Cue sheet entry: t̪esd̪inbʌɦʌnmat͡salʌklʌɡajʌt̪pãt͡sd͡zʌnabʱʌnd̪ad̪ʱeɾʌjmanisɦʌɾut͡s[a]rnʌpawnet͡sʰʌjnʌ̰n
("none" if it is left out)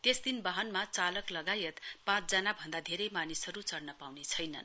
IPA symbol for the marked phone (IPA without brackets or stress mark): ʌ